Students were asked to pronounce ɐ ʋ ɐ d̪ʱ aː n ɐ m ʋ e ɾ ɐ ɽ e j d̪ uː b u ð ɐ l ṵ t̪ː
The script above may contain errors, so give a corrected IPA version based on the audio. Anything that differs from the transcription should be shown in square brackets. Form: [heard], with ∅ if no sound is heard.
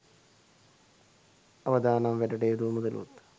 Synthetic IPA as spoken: ɐ ʋ ɐ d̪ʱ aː n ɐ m ʋ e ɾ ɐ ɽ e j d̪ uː [m] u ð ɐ l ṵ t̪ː